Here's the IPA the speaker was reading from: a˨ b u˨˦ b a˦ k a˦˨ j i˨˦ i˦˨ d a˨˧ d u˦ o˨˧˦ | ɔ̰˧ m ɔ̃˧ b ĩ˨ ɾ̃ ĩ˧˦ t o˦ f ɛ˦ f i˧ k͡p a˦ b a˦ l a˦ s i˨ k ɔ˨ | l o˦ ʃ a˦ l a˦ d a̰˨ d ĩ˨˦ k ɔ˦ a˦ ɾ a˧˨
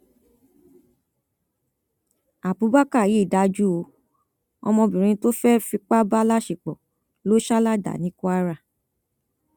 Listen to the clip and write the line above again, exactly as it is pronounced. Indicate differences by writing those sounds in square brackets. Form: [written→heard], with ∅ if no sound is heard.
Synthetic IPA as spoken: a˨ b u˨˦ b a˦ k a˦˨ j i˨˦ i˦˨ d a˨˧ [d→d͡ʒ] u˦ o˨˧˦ | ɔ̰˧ m ɔ̃˧ b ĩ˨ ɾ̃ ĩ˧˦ t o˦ f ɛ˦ f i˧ k͡p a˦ b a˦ l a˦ [s→ʃ] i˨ [k→k͡p] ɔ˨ | l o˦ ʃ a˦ l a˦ d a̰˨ [d→n] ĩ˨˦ k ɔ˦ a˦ ɾ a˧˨